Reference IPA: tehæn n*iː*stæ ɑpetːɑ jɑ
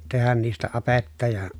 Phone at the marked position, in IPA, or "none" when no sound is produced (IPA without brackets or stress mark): iː